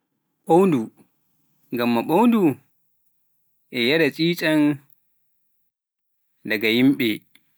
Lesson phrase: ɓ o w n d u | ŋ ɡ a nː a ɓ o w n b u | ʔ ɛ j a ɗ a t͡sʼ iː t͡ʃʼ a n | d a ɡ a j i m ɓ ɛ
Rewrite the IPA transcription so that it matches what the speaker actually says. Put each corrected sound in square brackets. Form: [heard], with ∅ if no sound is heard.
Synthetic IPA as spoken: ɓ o w n d u | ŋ ɡ a [mː] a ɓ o w n [d] u | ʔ ɛ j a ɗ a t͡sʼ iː t͡ʃʼ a n | d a ɡ a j i m ɓ ɛ